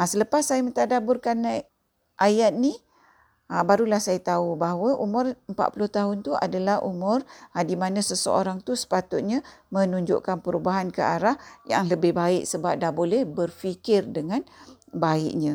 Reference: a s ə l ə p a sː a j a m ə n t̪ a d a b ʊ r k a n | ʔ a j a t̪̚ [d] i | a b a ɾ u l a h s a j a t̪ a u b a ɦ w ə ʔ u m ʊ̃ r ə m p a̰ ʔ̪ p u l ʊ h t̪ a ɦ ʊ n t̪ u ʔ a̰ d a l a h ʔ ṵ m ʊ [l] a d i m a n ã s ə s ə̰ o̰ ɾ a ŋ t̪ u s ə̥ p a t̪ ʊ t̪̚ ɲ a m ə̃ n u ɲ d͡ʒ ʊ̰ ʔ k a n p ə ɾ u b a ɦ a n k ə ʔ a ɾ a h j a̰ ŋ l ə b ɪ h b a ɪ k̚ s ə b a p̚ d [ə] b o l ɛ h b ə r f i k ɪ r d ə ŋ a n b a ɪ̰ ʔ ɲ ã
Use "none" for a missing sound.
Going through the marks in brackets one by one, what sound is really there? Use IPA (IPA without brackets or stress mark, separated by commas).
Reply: n, r, a